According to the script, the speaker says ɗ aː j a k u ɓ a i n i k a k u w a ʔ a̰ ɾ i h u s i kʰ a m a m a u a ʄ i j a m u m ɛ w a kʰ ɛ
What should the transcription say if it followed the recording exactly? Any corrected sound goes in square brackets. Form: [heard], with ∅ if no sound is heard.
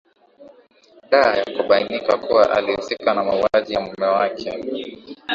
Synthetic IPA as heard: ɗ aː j a k u ɓ a i n i k a k u w a ʔ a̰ [l] i h u s i [k] a [n] a m a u a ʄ i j a m u m ɛ w a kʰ ɛ